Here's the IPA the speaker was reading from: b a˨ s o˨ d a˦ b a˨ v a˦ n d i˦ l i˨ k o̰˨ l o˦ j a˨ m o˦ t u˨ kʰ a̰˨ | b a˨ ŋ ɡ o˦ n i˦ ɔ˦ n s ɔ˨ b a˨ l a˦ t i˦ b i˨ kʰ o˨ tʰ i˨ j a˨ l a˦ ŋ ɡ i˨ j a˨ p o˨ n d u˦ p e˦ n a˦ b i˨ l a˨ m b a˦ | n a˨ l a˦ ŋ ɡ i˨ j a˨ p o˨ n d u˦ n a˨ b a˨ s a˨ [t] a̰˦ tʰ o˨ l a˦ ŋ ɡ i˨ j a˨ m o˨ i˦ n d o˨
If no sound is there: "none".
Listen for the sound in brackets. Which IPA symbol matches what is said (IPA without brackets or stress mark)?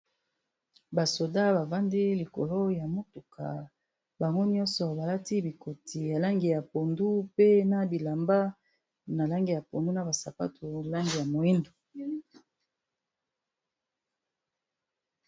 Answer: p